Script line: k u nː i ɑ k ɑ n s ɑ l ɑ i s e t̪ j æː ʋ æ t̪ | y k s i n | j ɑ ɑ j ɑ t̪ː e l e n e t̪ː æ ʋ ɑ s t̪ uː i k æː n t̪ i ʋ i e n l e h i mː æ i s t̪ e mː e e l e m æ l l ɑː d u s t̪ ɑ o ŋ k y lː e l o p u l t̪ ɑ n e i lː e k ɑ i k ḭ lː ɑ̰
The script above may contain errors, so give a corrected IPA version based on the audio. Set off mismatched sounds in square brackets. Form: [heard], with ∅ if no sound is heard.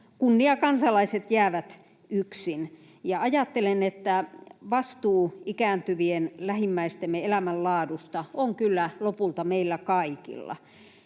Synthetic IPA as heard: k u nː i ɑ k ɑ n s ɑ l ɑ i s e t̪ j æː ʋ æ t̪ | y k s i n | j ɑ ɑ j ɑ t̪ː e l e n e t̪ː æ ʋ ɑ s t̪ uː i k æː n t̪ [y] ʋ i e n l [æ] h i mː æ i s t̪ e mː e e l [æ] m æ l l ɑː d u s t̪ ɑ o ŋ k y lː [æ] l o p u l t̪ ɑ [m] e i lː [æ] k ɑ i k ḭ lː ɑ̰

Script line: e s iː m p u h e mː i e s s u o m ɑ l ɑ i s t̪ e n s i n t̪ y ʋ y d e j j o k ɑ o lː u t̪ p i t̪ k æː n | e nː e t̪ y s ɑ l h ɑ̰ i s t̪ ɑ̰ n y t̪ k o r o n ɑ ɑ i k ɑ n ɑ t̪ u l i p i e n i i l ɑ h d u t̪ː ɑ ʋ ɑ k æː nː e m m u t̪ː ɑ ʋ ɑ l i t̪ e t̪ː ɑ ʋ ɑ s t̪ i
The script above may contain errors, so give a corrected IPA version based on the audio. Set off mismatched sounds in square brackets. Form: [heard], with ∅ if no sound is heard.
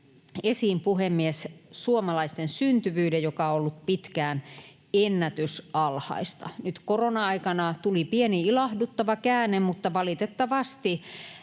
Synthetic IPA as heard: e s iː m p u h e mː i e s s u o m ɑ l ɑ i s t̪ e n s [y] n t̪ y ʋ [yː] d e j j o k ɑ o lː u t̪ p i t̪ k æː n | e nː [æ] t̪ y s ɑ l h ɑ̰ i s t̪ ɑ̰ n y t̪ k o r o n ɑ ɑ i k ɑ n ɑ t̪ u l i p i e n i i l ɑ h d u t̪ː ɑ ʋ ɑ k æː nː e m m u t̪ː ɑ ʋ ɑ l i t̪ e t̪ː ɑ ʋ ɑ s t̪ i

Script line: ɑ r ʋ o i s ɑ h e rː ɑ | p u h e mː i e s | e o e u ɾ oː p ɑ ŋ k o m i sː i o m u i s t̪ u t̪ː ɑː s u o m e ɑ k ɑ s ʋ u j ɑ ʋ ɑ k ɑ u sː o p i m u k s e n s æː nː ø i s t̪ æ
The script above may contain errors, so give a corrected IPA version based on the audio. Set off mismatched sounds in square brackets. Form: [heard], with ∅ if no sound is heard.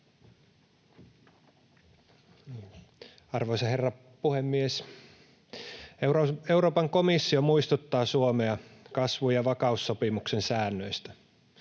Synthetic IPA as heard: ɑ r ʋ o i s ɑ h e rː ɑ | p u h e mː i e s | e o e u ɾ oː p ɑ ŋ k o m i sː i o m u i s t̪ u t̪ː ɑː s u o m e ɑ k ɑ s ʋ u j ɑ ʋ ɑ k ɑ u sː o p i m u k s e n s æː nː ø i s t̪ æ

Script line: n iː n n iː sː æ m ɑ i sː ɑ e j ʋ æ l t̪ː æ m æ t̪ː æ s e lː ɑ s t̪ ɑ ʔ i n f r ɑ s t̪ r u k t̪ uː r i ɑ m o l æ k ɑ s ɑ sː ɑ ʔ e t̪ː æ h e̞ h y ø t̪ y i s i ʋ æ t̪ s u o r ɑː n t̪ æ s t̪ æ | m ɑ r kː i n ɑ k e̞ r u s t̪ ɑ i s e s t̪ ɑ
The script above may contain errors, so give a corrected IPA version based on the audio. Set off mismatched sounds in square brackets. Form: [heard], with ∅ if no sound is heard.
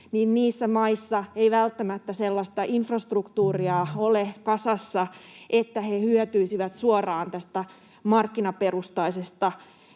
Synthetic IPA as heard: n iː n n iː sː æ m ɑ i sː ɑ e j ʋ æ l t̪ː æ m æ t̪ː æ s e lː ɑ s t̪ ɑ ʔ i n f r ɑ s t̪ r u k t̪ uː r i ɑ [∅] o l [e] k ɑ s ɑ sː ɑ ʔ e t̪ː æ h e̞ h y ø t̪ y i s i ʋ æ t̪ s u o r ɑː n t̪ æ s t̪ æ | m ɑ r kː i n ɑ [p] e̞ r u s t̪ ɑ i s e s t̪ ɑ

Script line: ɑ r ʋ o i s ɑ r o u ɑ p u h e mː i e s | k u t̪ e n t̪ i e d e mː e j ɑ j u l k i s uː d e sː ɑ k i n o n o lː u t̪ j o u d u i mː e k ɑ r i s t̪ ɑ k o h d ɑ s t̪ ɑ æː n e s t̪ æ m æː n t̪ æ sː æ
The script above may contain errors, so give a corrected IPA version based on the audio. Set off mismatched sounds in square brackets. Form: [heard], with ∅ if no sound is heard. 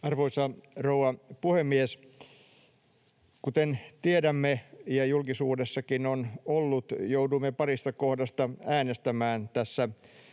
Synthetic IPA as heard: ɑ r ʋ o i s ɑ r o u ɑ p u h e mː i e s | k u t̪ e n t̪ i e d [æ] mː e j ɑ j u l k i s uː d e sː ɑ k i n o n o lː u t̪ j o u d u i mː e [p] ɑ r i s t̪ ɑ k o h d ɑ s t̪ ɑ æː n e s t̪ æ m æː n t̪ æ sː æ

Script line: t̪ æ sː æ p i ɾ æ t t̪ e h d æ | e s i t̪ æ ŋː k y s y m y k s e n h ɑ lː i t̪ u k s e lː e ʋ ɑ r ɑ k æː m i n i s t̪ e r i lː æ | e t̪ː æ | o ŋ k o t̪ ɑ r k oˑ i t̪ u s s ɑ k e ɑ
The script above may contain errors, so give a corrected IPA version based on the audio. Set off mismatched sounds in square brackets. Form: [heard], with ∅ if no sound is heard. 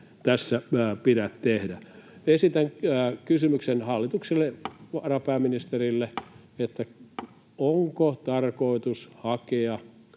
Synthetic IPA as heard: t̪ æ sː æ p i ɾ æ t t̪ e h d æ | e s i t̪ æ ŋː k y s y m y k s e n h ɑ lː i t̪ u k s e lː e ʋ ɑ r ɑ [p] æː m i n i s t̪ e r i lː [e] | e t̪ː æ | o ŋ k o t̪ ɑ r k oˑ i t̪ u s [h] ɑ k e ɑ

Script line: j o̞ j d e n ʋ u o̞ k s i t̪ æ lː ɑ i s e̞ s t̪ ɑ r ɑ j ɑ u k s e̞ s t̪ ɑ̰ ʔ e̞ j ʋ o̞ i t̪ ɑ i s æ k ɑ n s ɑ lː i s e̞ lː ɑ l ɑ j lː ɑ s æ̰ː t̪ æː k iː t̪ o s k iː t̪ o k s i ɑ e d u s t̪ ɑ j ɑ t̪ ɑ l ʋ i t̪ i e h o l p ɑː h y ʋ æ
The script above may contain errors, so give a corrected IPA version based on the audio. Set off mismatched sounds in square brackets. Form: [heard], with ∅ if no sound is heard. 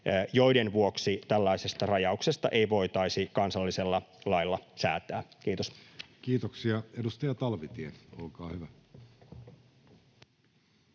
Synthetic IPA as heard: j o̞ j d e n ʋ u o̞ k s i t̪ æ lː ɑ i s e̞ s t̪ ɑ r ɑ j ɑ u k s e̞ s t̪ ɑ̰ ʔ e̞ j ʋ o̞ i t̪ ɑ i s [i] k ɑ n s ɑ lː i s e̞ lː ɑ l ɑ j lː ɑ s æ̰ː t̪ æː k iː t̪ o s k iː t̪ o k s i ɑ e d u s t̪ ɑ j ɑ t̪ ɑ l ʋ i t̪ i e [∅] o l [k] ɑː h y ʋ æ

